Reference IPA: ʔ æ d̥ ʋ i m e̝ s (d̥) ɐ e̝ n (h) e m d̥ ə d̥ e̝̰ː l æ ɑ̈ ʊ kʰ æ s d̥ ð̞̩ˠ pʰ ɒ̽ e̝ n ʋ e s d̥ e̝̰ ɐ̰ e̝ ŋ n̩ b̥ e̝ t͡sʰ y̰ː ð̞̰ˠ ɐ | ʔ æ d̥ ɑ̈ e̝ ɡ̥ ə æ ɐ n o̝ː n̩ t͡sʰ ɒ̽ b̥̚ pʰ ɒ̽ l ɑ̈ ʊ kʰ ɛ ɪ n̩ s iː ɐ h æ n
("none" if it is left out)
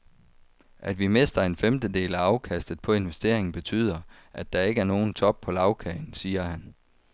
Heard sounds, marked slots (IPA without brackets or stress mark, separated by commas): d̥, f